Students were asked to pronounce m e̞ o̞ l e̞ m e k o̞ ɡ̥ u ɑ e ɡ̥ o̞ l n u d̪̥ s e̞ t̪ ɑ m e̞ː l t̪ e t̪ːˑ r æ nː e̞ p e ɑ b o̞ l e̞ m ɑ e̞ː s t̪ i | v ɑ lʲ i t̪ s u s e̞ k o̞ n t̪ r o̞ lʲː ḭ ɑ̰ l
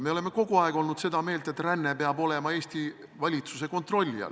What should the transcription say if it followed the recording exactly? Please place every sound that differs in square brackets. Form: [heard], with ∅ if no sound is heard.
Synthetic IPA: m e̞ o̞ l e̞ m e k o̞ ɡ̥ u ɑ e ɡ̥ o̞ l n u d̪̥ s e̞ [d̪] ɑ m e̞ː l t̪ e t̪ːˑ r æ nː e̞ p e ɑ b o̞ l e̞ m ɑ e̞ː s t̪ i | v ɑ lʲ i t̪ s u s e̞ k o̞ n t̪ r o̞ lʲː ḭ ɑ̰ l